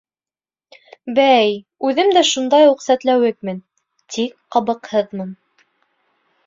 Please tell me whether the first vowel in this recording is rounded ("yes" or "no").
no